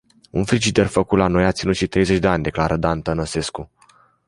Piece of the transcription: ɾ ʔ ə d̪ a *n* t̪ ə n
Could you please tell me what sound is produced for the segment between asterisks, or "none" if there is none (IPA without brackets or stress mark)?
n